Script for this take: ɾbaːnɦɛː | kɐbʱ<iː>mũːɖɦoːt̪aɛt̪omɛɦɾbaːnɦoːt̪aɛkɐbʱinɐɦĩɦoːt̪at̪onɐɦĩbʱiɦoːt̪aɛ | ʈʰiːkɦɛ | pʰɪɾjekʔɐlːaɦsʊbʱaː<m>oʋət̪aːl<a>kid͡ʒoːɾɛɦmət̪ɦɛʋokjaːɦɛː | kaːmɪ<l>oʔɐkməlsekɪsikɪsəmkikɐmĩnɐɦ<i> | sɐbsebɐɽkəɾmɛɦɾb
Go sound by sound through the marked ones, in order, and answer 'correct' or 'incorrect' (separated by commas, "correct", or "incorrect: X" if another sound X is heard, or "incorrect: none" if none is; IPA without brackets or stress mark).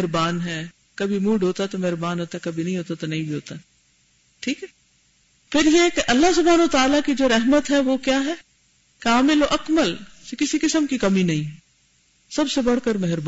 incorrect: i, incorrect: n, correct, correct, incorrect: ĩ